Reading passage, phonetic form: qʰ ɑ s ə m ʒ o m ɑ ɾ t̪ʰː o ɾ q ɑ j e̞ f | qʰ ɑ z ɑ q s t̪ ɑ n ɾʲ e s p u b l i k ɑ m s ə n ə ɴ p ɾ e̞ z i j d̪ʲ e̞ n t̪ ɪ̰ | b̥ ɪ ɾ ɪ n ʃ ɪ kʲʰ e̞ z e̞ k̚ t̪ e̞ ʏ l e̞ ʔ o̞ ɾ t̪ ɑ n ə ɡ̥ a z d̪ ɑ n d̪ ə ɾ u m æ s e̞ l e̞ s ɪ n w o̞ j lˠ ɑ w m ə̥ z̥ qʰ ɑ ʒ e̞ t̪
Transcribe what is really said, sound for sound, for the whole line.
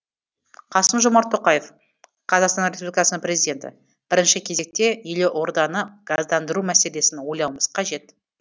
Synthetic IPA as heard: qʰ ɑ s ə m ʒ o m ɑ ɾ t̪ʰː o q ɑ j e̞ f | qʰ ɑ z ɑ q s t̪ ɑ n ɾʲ e s p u b l i k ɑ s ə n ə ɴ p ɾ e̞ z i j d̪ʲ e̞ n t̪ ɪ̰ | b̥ ɪ ɾ ɪ n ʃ ɪ kʲʰ e̞ z e̞ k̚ t̪ e̞ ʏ l e̞ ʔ o̞ ɾ d̪ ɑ n ə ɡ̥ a z d̪ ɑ n d̪ ə ɾ u m æ s e̞ l e̞ s ɪ n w o̞ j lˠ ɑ w m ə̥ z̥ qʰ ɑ ʒ e̞ t̪